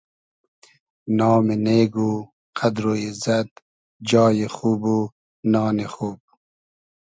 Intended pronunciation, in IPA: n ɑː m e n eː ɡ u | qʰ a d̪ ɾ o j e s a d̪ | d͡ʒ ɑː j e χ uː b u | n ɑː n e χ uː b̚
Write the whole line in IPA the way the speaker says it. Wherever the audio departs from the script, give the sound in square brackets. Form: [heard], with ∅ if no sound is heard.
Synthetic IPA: n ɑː m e n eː ɡ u | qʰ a d̪ ɾ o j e [z] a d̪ | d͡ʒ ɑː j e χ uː b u | n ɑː n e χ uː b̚